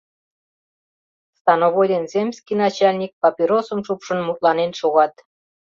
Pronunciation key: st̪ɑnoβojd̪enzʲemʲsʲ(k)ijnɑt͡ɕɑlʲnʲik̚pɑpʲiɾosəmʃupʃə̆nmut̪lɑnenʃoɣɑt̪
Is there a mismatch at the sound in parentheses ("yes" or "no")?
no